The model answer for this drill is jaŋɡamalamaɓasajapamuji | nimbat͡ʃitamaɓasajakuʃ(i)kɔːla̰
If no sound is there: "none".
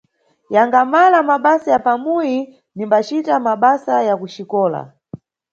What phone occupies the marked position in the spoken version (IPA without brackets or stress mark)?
i